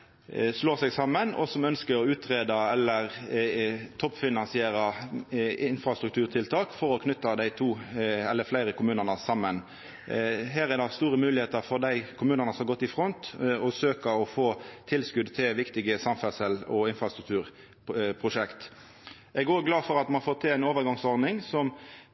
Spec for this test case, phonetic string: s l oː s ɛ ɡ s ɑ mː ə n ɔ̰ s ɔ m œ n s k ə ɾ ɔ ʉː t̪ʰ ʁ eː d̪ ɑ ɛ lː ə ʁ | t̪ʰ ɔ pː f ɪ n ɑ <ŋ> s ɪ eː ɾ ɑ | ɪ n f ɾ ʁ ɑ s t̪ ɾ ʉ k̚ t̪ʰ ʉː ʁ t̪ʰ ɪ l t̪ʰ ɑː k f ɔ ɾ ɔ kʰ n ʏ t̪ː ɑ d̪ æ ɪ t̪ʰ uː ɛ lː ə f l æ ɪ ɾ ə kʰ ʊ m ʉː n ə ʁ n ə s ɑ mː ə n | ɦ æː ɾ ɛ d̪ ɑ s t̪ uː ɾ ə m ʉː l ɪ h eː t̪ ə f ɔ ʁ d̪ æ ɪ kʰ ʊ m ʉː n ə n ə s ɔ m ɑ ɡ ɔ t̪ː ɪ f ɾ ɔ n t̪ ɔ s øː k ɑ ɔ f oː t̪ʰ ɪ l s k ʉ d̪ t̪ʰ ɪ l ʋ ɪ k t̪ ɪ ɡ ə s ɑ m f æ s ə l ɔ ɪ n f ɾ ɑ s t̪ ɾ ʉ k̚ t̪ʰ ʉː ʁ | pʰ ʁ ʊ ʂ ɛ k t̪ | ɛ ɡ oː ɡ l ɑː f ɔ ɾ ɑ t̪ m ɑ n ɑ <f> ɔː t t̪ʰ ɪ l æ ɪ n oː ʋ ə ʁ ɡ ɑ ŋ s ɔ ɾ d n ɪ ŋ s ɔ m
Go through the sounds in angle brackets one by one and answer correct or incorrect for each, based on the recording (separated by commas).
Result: incorrect, correct